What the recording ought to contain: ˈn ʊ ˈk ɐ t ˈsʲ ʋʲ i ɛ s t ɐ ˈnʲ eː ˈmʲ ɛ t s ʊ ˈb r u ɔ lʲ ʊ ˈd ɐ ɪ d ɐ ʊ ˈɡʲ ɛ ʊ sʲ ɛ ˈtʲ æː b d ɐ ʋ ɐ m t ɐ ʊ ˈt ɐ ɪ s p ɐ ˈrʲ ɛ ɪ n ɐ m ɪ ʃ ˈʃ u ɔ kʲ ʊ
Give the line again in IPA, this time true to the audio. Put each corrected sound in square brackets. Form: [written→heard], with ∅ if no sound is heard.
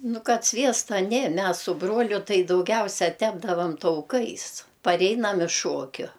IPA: ˈn ʊ ˈk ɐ t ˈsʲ ʋʲ i ɛ s t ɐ ˈnʲ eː ˈmʲ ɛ [t→s] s ʊ ˈb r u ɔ lʲ ʊ [ˈd→ˈt] ɐ ɪ d ɐ ʊ ˈɡʲ ɛ ʊ sʲ ɛ ˈtʲ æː b d ɐ ʋ ɐ m t ɐ ʊ [ˈt→ˈk] ɐ ɪ s p ɐ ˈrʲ ɛ ɪ n ɐ m ɪ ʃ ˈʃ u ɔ kʲ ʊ